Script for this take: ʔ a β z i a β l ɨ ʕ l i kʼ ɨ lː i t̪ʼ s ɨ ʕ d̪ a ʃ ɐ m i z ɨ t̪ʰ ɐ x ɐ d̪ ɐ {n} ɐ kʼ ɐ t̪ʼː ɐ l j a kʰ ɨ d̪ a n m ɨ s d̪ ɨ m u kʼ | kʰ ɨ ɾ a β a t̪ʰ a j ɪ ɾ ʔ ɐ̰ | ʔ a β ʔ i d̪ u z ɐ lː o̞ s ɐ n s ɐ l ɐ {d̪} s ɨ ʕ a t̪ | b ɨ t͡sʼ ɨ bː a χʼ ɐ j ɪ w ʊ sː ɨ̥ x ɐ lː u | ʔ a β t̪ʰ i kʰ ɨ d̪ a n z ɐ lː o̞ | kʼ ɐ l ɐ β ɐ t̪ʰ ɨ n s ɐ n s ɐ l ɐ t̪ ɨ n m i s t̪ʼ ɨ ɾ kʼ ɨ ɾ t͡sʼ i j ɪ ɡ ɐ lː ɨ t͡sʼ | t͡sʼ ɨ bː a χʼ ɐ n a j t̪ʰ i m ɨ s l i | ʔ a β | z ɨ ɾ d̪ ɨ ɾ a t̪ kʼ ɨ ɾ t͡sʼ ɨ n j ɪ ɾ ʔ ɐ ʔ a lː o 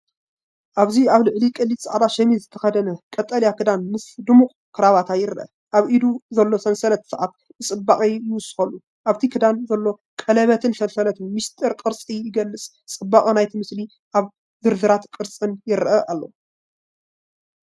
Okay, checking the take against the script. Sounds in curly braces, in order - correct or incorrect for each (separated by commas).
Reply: correct, incorrect